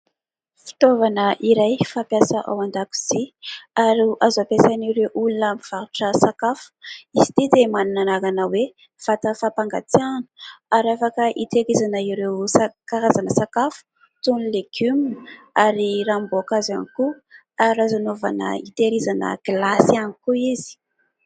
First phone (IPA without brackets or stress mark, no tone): f